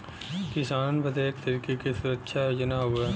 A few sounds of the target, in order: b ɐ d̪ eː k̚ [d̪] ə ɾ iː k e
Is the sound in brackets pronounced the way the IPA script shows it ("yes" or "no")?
no